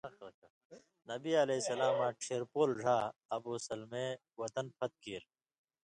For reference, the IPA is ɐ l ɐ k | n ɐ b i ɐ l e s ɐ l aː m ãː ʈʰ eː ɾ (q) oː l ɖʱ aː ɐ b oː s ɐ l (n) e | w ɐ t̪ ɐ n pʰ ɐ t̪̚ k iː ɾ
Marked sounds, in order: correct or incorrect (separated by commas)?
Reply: incorrect, incorrect